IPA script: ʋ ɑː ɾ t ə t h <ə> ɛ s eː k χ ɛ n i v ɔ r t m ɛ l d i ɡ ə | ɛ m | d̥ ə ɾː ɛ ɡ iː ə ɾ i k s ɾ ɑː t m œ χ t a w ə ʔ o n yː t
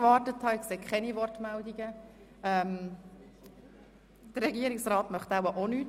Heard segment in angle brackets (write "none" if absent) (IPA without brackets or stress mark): ɑ